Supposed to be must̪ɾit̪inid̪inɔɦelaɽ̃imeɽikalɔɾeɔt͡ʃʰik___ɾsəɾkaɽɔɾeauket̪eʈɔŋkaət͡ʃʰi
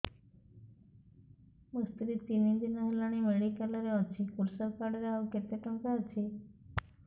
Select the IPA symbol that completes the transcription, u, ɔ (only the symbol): u